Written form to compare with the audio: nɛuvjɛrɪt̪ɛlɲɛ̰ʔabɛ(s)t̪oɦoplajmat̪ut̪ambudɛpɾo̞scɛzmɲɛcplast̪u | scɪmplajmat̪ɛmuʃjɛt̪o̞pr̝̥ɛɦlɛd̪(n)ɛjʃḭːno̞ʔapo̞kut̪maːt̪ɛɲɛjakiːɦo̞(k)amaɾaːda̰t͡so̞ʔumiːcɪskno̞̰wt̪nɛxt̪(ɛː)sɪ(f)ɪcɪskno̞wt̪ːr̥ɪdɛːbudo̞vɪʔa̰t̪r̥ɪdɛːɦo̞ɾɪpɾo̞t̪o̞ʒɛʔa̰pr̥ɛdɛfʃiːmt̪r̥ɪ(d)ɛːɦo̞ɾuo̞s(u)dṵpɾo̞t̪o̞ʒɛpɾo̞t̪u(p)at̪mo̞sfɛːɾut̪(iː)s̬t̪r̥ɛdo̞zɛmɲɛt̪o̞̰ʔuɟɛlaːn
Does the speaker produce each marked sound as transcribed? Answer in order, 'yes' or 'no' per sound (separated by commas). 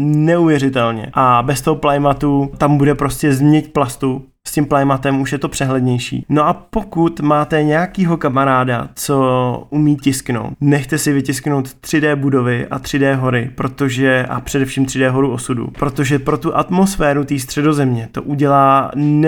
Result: yes, no, yes, no, no, yes, yes, no, yes